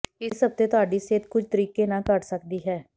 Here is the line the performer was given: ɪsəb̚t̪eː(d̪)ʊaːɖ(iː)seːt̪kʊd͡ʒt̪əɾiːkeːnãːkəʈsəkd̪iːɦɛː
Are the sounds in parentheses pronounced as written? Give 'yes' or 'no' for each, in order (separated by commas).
no, yes